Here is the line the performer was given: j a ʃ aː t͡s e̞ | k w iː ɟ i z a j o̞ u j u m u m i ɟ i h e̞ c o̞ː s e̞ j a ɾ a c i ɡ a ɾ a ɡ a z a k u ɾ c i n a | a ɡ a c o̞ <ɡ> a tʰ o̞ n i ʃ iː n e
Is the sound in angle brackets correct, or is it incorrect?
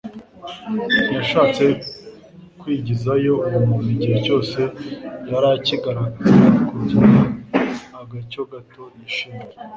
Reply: correct